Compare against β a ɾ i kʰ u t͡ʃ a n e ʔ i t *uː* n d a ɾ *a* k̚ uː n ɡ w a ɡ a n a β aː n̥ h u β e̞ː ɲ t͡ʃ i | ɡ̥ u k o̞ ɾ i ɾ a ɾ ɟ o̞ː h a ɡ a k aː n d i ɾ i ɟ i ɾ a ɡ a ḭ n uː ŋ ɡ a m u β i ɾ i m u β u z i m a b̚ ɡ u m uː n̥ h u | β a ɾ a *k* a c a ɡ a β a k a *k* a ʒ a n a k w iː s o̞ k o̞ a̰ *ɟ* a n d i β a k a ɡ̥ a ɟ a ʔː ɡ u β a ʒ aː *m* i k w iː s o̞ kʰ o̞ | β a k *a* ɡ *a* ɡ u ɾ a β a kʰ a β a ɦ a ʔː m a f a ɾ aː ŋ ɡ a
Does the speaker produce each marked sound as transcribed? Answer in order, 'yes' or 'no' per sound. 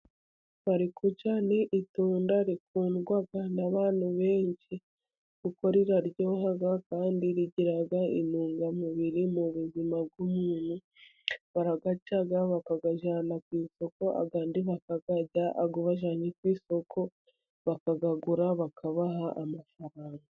yes, no, no, no, no, no, yes, yes

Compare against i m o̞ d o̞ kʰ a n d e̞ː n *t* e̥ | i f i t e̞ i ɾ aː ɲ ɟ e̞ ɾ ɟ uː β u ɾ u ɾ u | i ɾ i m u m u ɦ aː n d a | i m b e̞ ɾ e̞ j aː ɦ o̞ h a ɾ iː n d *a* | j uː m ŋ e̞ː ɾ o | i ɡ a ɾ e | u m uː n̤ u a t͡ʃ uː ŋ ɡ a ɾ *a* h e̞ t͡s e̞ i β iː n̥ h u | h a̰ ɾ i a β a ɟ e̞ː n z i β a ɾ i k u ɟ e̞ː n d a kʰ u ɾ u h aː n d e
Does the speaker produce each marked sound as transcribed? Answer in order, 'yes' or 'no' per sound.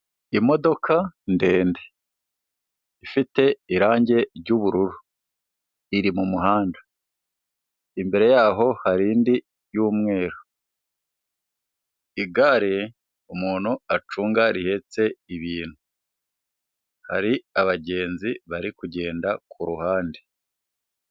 no, no, no

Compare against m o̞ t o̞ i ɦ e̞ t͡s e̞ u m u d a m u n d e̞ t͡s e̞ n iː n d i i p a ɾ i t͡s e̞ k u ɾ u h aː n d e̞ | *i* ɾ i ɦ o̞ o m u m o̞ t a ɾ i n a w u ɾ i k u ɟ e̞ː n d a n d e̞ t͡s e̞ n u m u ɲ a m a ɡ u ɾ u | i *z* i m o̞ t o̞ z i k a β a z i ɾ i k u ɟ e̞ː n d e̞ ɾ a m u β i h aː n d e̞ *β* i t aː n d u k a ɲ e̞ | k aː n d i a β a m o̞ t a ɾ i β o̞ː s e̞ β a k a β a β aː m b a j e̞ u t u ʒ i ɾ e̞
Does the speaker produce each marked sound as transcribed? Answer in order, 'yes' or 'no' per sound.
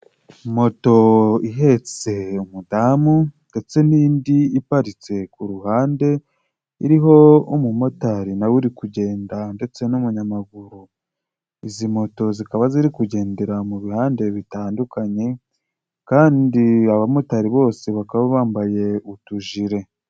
yes, yes, yes

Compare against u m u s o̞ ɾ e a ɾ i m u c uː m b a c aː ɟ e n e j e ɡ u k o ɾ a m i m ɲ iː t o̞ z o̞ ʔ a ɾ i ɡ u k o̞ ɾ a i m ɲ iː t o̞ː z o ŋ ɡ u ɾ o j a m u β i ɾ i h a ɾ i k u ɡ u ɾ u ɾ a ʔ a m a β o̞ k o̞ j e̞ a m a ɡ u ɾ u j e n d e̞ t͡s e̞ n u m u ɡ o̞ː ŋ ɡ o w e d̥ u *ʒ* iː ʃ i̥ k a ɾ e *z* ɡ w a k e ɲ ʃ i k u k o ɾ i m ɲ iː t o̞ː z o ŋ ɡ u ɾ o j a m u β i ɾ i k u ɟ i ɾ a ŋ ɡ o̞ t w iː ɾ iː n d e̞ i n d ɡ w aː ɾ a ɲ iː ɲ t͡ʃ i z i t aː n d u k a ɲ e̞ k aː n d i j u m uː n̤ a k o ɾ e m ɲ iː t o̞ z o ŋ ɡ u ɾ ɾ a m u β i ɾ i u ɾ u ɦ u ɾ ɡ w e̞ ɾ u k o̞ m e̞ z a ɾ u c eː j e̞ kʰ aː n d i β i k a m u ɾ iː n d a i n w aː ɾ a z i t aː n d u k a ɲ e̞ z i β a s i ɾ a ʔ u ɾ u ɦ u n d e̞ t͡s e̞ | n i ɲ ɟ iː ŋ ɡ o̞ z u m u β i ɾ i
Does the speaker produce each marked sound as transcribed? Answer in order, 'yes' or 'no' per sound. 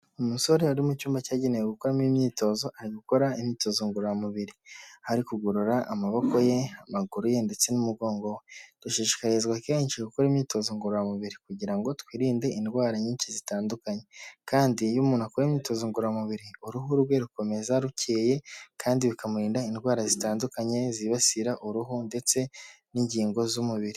no, yes

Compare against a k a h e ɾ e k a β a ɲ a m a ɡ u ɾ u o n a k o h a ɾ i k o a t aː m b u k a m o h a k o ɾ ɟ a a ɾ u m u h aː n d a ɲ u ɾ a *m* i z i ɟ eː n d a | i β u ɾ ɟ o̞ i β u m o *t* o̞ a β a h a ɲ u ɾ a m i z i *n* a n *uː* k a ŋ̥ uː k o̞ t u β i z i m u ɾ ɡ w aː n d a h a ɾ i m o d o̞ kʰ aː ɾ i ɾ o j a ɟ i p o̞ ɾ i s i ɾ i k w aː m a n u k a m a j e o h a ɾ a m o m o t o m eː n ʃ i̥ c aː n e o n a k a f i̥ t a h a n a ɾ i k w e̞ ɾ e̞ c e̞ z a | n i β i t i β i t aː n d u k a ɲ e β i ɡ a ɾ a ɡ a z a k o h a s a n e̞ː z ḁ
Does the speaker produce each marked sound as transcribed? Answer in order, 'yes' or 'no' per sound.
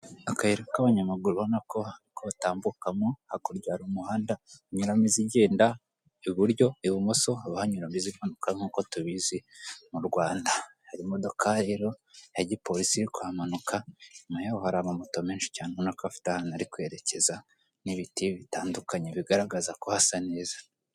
yes, no, no, no

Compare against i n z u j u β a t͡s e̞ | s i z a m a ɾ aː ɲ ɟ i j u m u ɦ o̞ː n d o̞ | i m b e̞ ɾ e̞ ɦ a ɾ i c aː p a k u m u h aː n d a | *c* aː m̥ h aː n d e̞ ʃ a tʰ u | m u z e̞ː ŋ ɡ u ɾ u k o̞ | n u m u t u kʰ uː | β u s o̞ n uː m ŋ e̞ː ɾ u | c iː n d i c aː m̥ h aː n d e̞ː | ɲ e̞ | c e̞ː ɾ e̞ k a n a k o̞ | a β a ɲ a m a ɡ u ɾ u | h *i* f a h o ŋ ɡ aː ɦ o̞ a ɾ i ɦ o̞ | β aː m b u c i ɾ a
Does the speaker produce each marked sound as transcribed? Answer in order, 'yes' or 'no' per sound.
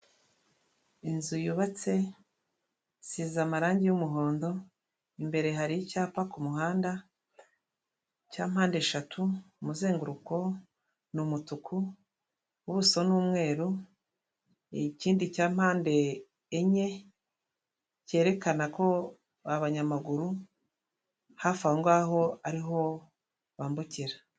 yes, no

